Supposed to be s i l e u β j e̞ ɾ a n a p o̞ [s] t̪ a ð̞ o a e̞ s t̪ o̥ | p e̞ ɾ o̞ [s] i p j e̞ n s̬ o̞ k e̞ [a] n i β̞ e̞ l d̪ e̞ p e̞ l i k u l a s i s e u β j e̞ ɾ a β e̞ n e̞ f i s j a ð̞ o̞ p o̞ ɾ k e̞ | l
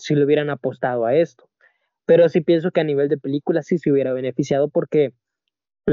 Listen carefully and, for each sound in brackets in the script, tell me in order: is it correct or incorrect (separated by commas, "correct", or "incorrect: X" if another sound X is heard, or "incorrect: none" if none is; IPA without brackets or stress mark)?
correct, correct, correct